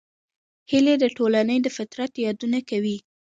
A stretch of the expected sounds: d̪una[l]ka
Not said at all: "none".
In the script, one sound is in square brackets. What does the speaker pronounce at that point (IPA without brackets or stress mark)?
none